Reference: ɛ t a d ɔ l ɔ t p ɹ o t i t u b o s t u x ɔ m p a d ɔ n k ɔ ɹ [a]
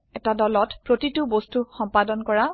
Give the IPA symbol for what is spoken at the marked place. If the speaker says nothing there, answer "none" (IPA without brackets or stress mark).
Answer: a